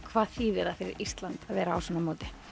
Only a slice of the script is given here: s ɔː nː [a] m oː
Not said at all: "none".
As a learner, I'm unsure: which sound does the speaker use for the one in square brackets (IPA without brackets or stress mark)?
a